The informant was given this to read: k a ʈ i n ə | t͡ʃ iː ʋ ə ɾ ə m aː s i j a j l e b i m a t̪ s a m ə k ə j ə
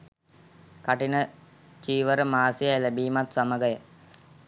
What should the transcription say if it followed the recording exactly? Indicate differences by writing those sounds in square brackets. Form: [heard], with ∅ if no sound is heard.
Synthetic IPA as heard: k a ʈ i n ə | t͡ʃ iː ʋ ə ɾ ə m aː s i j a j l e b [iː] m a t̪ s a m ə [ɡ] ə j ə

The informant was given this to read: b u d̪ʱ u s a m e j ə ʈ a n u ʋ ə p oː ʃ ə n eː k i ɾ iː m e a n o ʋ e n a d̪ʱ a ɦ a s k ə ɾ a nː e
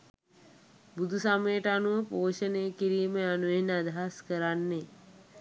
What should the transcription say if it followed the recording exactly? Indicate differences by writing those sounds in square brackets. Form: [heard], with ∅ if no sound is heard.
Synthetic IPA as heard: b u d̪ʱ u s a m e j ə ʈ a n u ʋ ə p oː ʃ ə n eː k i ɾ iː m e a n [u] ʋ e n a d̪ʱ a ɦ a s k ə ɾ a nː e

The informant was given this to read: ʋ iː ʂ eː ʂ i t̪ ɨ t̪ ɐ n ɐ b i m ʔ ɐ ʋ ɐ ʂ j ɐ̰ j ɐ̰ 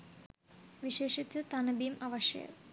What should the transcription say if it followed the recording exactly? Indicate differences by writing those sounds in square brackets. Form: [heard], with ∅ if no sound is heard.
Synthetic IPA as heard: ʋ [i] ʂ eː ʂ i t̪ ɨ t̪ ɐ n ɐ b i m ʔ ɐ ʋ ɐ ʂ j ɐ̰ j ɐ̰

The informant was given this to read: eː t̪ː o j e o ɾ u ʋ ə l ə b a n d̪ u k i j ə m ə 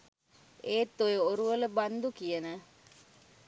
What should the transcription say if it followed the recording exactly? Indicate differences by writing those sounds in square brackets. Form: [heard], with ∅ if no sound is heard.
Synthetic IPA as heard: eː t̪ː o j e o ɾ u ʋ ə l ə b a n d̪ u k i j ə [n] ə

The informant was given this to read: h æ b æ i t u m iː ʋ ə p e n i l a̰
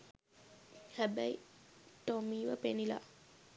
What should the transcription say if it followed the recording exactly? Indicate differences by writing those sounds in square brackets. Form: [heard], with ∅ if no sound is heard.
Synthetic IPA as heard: h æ b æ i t [o] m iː ʋ ə p e n i l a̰

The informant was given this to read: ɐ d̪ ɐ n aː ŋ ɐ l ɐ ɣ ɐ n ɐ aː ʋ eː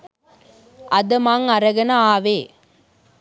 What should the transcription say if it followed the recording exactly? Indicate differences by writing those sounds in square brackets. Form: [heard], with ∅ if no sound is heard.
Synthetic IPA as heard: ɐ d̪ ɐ [m] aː ŋ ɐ [ɾ] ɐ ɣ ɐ n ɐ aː ʋ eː

